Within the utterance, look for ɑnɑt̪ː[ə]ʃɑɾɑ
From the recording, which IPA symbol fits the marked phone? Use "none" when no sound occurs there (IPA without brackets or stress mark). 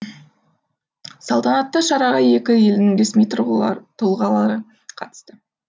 ɑ